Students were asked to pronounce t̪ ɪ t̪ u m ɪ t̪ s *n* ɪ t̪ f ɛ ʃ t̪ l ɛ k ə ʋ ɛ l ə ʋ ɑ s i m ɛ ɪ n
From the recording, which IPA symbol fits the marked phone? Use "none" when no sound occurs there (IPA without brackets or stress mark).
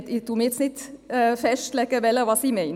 n